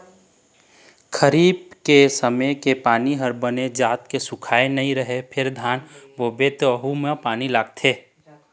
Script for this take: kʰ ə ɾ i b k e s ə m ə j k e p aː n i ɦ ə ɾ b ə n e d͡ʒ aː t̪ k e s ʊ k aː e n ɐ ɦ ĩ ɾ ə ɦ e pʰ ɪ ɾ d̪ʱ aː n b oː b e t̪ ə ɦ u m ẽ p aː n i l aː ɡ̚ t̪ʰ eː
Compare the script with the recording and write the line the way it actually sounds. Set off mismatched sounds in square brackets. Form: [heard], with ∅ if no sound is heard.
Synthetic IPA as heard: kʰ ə ɾ [iː] b k e s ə m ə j k e p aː n i ɦ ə ɾ b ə n e d͡ʒ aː t̪ k e s ʊ [kʰ] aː e n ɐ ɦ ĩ ɾ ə ɦ e pʰ ɪ ɾ d̪ʱ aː n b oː b e t̪ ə ɦ u m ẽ p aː n i l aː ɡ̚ t̪ʰ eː